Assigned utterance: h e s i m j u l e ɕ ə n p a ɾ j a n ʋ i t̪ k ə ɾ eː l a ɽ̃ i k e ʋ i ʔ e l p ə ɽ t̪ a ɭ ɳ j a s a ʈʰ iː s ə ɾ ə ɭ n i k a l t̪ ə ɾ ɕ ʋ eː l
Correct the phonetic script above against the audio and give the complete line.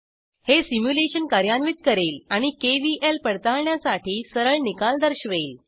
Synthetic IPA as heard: h e s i m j u l e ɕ ə n k a ɾ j a n ʋ i t̪ k ə ɾ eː l a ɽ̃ i k e ʋ i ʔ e l p ə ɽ t̪ a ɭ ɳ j a s a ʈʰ iː s ə ɾ ə ɭ n i k a l d̪ ə ɾ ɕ ʋ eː l